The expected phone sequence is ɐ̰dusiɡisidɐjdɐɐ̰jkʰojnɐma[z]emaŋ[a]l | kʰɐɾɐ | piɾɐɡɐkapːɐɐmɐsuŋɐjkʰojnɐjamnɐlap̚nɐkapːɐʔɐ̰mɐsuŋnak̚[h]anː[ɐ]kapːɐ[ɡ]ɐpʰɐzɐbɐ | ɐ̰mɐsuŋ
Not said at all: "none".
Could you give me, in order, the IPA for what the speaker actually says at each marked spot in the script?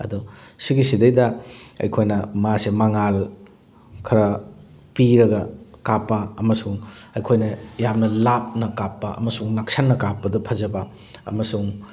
s, a, s, ɐ, d

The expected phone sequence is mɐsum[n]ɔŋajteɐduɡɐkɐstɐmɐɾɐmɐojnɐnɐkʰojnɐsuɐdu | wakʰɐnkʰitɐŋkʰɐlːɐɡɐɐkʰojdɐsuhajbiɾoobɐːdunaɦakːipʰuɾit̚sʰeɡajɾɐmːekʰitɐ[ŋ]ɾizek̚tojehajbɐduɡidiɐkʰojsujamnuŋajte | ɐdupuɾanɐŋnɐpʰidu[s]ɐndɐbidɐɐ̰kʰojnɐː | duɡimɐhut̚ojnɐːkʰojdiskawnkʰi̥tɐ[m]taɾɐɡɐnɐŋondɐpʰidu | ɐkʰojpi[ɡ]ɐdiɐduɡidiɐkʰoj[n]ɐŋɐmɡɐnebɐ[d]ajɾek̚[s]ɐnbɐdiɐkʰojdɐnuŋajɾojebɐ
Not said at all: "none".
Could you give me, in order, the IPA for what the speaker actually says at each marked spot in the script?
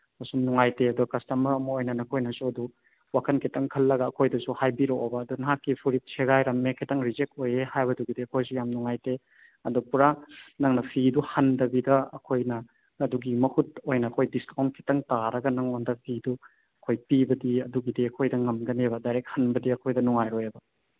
n, ŋ, h, ŋ, b, d, d, h

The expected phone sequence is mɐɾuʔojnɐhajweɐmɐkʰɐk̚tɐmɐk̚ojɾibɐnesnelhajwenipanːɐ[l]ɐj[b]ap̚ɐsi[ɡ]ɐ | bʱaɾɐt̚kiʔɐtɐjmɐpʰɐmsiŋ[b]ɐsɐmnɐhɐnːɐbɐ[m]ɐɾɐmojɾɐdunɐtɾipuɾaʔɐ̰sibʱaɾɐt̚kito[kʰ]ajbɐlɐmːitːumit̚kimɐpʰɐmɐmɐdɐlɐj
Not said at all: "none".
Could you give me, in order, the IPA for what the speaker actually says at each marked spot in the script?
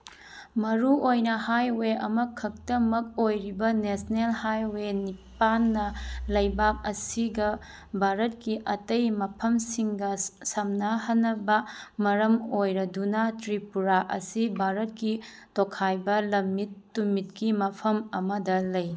l, b, ɡ, ɡ, m, kʰ

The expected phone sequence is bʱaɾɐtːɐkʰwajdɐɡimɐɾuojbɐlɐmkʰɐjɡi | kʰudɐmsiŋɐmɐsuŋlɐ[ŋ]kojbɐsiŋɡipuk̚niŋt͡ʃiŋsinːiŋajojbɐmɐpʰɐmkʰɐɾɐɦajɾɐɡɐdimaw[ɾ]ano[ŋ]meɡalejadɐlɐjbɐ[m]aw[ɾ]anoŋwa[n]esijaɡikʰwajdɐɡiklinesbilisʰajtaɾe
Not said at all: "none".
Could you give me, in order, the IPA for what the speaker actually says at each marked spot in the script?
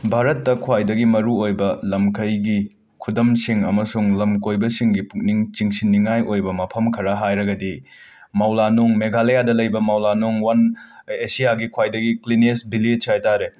m, l, ŋ, m, l, n

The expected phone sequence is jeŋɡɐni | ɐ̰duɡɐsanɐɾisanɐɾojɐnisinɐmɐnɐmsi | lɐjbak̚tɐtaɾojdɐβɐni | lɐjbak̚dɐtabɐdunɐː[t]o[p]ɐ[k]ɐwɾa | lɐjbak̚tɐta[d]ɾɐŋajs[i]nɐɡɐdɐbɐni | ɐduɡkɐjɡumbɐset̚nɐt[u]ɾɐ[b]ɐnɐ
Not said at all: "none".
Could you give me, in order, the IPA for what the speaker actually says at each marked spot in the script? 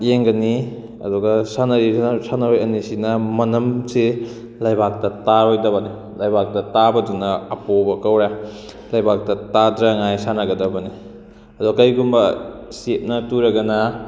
p, b, k, d, a, u, ɡ

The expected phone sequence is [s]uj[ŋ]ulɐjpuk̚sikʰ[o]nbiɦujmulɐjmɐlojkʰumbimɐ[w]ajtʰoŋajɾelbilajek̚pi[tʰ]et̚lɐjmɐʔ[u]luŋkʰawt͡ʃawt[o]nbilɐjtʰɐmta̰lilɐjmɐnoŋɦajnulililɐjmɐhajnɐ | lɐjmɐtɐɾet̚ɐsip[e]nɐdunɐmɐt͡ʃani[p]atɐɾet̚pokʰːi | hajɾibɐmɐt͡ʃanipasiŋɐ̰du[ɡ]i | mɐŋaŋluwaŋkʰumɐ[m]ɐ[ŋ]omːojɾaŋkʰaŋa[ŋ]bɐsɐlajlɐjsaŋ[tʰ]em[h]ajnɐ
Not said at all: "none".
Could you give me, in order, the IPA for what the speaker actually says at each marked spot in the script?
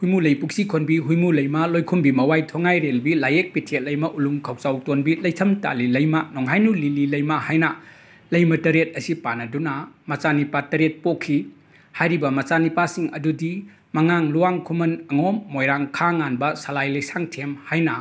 h, m, o, w, tʰ, u, o, a, p, d, n, ŋ, n, tʰ, h

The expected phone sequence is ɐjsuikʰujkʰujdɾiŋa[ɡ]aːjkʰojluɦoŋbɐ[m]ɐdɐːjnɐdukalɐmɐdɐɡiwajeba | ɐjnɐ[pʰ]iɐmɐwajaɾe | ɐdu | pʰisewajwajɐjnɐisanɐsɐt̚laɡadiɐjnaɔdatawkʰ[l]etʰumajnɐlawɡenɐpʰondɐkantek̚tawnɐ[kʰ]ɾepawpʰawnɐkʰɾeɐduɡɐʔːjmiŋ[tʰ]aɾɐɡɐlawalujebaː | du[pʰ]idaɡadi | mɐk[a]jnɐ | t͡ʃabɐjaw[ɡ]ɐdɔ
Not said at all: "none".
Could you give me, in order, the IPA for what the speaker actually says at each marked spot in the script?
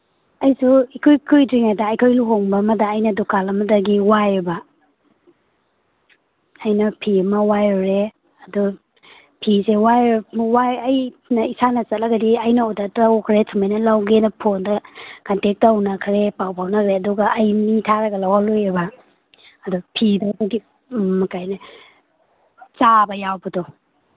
d, m, pʰ, ɾ, kʰ, tʰ, pʰ, a, b

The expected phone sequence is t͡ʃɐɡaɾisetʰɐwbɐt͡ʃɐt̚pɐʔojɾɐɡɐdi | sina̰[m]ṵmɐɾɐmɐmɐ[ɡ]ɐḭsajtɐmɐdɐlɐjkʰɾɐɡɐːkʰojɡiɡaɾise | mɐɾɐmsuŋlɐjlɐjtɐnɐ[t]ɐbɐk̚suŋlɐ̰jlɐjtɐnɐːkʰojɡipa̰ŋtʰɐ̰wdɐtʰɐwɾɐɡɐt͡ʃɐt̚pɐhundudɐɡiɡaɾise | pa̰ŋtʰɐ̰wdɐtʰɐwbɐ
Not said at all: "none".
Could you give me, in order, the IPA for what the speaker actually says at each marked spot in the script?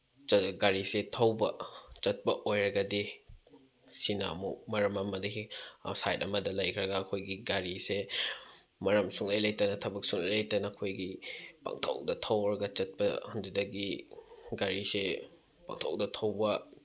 m, d, tʰ

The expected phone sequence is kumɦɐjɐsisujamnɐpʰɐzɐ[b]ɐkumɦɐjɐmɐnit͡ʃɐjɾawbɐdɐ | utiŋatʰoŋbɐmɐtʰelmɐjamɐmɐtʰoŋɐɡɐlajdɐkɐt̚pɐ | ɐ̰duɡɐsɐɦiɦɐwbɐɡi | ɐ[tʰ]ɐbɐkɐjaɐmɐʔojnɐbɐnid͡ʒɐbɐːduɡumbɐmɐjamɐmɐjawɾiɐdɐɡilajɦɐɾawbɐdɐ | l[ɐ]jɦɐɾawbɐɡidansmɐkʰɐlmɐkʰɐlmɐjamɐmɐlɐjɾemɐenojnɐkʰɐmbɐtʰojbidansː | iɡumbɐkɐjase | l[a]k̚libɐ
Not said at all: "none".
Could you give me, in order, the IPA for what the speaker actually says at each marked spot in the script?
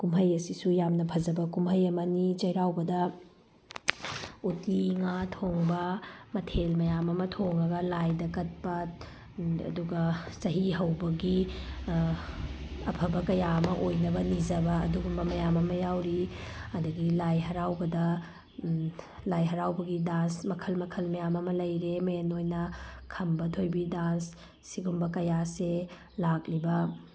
b, pʰ, a, a

